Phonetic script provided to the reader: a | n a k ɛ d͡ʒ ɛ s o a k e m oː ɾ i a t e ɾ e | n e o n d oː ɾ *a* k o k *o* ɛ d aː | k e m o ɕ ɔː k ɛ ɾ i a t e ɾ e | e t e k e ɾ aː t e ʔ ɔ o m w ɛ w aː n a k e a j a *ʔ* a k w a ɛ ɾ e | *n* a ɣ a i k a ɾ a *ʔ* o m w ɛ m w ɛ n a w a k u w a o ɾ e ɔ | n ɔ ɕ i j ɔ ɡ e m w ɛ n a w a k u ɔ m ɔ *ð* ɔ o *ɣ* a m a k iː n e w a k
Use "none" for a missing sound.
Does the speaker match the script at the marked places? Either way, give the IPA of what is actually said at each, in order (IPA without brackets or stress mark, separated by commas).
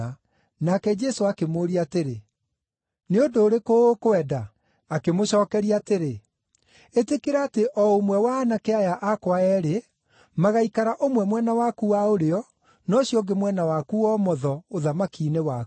e, o, ʔ, m, ʔ, ð, ð